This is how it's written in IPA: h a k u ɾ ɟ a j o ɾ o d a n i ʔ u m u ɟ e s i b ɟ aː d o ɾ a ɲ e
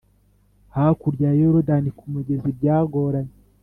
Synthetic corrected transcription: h a k u ɾ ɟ a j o ɾ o d a n i k u m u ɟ e z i b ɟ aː ɡ o ɾ a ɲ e